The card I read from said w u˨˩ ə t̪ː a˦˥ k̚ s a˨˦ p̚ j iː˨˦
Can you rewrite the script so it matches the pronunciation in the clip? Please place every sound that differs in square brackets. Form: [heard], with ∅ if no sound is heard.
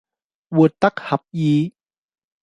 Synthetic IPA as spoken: w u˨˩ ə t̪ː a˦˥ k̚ [h] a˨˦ p̚ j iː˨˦